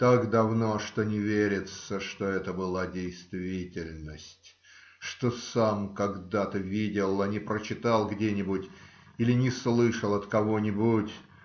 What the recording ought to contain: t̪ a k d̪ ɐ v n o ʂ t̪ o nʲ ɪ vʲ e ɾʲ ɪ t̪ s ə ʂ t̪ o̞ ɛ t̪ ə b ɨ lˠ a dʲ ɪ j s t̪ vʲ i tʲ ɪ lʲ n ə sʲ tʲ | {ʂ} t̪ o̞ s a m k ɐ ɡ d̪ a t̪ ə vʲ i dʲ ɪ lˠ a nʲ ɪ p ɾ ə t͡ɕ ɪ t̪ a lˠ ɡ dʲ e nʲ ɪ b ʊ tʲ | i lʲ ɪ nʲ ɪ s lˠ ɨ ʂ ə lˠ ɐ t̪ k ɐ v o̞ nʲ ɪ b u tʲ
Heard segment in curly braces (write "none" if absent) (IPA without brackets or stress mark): ʂ